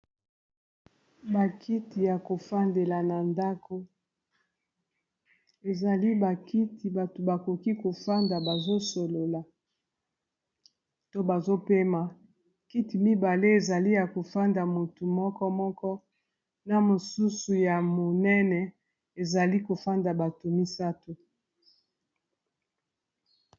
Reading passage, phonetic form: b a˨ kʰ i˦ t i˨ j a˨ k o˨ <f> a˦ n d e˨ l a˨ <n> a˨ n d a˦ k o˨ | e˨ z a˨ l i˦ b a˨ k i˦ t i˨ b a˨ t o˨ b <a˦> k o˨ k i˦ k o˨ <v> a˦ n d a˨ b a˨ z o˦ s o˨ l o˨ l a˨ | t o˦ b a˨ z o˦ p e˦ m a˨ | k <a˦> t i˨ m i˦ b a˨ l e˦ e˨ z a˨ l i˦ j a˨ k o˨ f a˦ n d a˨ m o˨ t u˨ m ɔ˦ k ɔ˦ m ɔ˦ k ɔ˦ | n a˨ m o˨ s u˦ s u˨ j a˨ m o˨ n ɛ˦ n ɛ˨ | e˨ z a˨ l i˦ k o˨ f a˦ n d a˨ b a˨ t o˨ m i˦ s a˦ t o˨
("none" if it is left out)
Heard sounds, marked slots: f, n, a˨, f, i˦

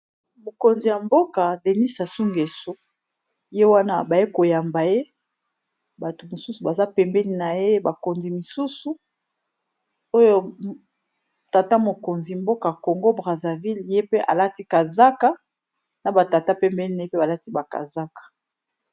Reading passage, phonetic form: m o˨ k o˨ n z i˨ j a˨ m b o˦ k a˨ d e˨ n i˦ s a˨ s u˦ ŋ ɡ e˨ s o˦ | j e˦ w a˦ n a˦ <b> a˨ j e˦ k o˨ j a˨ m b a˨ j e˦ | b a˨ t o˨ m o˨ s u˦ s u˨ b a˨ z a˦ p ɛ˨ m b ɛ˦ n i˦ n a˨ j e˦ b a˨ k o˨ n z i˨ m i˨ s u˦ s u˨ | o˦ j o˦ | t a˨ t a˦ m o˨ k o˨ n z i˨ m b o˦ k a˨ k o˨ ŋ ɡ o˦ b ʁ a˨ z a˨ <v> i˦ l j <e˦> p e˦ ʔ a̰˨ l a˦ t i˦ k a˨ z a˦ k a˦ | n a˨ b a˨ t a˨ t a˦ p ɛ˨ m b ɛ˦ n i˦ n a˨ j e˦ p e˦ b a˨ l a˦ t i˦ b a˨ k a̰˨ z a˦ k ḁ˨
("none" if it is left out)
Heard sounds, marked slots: b, v, e˦

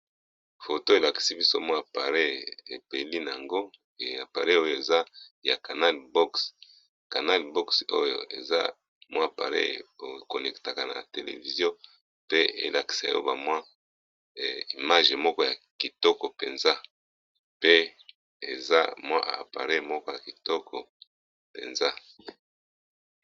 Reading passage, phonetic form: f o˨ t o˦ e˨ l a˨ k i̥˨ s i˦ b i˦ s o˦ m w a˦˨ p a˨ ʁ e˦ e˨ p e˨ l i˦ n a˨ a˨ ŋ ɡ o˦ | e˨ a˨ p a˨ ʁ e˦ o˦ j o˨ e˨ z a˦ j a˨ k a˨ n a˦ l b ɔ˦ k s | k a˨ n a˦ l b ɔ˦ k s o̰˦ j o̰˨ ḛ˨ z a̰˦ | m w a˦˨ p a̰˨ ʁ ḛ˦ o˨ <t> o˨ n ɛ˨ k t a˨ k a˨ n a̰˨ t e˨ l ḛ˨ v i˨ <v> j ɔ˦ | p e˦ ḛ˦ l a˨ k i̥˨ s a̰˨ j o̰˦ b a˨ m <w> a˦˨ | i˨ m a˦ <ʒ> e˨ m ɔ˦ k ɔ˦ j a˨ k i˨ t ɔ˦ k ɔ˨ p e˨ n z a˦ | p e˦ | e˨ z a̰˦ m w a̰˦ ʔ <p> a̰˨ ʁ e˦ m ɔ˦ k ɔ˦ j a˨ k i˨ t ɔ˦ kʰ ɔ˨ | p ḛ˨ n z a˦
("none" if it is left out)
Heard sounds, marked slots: k, z, w, ʒ, p

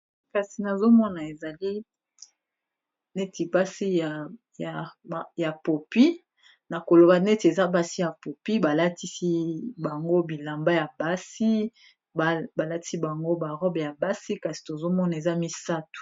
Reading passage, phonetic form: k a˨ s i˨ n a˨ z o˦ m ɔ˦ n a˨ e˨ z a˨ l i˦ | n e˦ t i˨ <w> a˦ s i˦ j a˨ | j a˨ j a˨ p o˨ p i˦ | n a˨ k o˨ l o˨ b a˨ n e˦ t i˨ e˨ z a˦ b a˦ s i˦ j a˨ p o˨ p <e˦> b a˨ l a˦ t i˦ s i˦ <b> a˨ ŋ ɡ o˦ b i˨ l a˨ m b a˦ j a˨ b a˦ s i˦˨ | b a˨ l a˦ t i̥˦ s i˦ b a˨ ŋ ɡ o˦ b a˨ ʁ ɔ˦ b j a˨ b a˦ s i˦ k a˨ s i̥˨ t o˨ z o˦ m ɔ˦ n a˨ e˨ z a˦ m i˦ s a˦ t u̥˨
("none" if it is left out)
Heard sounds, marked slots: b, i˦, b

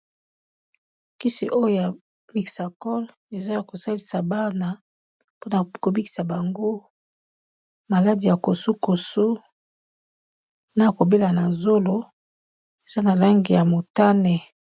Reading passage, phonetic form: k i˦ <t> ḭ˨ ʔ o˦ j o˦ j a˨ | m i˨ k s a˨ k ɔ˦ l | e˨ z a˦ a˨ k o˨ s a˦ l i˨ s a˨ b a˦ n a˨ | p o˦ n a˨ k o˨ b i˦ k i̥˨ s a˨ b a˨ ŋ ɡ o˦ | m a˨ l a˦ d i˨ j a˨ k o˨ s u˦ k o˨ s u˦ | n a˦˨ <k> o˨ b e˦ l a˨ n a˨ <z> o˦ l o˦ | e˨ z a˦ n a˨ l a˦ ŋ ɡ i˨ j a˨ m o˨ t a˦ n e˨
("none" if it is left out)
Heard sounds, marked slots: s, k, z

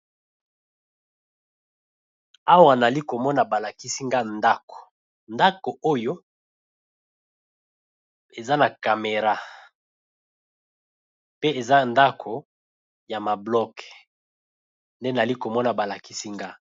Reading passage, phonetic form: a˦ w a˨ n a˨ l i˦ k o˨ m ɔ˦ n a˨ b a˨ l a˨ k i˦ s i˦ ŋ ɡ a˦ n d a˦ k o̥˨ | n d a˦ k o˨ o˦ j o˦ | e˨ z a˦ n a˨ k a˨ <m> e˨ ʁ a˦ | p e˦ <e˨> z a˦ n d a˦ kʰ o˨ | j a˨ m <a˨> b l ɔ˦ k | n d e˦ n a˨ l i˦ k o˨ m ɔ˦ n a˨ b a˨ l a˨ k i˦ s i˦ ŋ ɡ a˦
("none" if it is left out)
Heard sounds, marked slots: m, e˨, a˨

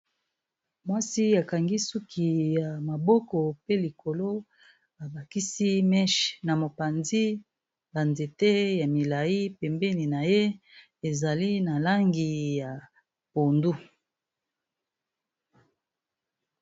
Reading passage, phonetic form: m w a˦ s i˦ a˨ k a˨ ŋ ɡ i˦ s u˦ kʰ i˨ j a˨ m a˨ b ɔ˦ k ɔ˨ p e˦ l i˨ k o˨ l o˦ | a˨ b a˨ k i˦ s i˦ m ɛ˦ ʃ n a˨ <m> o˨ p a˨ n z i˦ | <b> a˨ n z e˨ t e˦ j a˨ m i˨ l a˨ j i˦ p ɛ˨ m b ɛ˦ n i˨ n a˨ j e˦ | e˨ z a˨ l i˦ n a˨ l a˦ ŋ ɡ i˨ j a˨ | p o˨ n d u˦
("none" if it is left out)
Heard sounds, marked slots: m, b

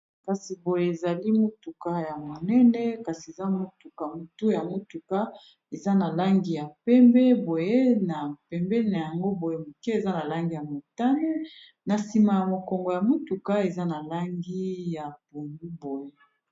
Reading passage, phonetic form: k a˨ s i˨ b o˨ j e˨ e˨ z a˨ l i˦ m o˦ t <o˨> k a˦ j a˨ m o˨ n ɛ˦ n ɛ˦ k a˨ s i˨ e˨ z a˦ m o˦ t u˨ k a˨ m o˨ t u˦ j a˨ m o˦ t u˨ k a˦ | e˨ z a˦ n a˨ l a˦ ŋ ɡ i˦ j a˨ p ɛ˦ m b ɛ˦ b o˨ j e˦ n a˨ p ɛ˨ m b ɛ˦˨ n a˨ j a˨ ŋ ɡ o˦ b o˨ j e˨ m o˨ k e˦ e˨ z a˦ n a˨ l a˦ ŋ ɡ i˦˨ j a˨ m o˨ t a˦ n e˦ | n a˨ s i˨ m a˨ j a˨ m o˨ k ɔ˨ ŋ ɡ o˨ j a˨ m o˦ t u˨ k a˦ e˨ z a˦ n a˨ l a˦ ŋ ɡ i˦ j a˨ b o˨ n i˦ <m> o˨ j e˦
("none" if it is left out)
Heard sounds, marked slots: u˨, b

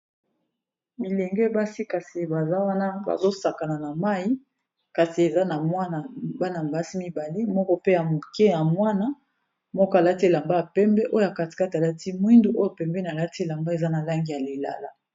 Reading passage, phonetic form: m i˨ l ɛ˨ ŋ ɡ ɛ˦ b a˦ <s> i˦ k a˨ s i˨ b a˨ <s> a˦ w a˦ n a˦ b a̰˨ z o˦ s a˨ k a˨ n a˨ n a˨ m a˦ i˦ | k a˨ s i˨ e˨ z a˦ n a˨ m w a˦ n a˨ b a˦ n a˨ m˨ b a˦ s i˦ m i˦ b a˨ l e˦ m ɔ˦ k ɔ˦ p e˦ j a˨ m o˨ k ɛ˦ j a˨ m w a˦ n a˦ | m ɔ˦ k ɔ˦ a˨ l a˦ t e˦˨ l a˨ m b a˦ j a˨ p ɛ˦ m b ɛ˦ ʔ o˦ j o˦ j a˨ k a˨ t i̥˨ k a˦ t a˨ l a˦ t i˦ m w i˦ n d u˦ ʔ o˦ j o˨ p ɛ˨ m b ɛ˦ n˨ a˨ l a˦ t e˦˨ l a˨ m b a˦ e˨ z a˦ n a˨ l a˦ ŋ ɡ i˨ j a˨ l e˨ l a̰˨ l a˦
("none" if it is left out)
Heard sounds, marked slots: s, z

